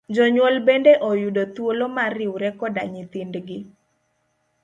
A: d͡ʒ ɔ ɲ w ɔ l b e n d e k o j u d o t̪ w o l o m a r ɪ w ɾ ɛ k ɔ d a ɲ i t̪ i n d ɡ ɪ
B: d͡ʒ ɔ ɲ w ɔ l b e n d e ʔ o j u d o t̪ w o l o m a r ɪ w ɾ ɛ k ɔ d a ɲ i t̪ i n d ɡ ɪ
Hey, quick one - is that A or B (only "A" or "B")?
B